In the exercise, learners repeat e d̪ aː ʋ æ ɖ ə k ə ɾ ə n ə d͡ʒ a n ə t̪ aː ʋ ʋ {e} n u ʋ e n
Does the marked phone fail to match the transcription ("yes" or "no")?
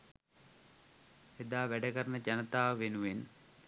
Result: no